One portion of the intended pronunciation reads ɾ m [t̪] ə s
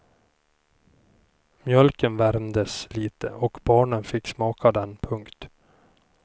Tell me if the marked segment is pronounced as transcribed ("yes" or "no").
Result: no